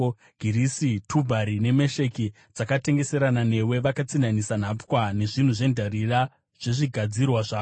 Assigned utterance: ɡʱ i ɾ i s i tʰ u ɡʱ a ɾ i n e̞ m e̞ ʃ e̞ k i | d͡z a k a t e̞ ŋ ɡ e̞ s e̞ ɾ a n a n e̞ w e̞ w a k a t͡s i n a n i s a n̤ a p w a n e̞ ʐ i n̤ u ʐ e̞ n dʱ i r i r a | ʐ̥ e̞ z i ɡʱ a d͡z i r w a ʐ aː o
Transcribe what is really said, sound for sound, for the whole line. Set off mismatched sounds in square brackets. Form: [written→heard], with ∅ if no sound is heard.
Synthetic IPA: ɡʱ i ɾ i s i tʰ u [ɡʱ→bʱ] a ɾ i n e̞ m e̞ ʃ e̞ k i | d͡z a k a t e̞ ŋ ɡ e̞ s e̞ ɾ a n a n e̞ w e̞ [w→ʋ] a k a t͡s i n a n i s a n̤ a p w a n e̞ ʐ i n̤ u ʐ e̞ n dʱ [i→a] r i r a | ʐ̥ e̞ [z→ʐ] i ɡʱ a d͡z i r w a ʐ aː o

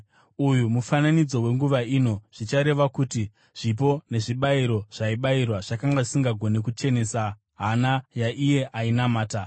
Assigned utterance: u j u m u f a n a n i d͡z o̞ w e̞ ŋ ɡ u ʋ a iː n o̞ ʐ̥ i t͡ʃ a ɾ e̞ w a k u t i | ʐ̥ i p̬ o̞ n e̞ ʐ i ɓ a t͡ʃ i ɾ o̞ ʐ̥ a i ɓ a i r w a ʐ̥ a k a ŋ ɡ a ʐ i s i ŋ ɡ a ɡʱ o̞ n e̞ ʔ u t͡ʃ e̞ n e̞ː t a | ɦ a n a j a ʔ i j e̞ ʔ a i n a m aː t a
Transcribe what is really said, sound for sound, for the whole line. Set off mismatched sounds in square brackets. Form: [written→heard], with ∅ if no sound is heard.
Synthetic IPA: u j u m u f a n a n i d͡z o̞ w e̞ ŋ ɡ u ʋ a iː n o̞ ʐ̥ i t͡ʃ a ɾ e̞ [w→ʋ] a k u t i | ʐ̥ i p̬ o̞ n e̞ ʐ i ɓ a [t͡ʃ→∅] i ɾ o̞ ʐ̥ a i ɓ a i r w a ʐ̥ a k a ŋ ɡ a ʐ i s i ŋ ɡ a ɡʱ o̞ n e̞ [ʔ→k] u t͡ʃ e̞ n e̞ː [t→s] a | ɦ a n a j a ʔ i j e̞ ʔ a i n a m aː t a

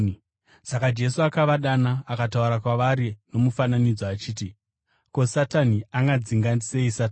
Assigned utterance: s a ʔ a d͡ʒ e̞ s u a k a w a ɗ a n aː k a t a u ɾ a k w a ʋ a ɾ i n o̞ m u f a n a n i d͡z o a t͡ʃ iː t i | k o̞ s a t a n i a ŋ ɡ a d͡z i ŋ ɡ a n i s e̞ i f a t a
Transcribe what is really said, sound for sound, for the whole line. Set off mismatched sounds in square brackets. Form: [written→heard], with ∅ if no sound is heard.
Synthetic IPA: s a [ʔ→k] a d͡ʒ e̞ s u a k a [w→ʋ] a ɗ a n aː k a t a u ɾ a k w a ʋ a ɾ i n o̞ m u f a n a n i d͡z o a t͡ʃ iː t i | k o̞ s a t a n i a ŋ ɡ a d͡z i ŋ ɡ a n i s e̞ i [f→s] a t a

